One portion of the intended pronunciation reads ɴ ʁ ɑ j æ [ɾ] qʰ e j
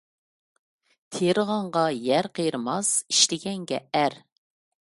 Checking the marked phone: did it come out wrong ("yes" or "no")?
no